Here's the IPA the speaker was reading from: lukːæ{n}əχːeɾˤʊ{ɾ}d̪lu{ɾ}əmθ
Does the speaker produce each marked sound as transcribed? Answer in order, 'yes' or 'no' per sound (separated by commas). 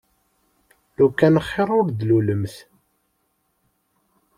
yes, yes, no